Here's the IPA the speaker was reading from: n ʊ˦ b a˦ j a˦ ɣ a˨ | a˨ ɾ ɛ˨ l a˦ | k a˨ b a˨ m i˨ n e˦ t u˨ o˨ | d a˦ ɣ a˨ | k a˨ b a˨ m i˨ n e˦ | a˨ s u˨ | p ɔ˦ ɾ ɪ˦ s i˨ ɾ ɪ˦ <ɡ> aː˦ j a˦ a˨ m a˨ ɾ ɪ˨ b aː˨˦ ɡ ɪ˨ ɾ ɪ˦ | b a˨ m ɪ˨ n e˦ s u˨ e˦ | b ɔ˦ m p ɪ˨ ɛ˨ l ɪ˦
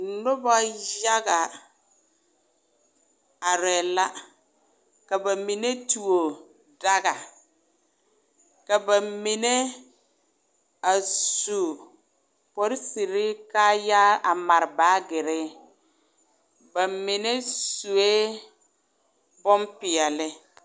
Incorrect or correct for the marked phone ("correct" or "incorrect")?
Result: incorrect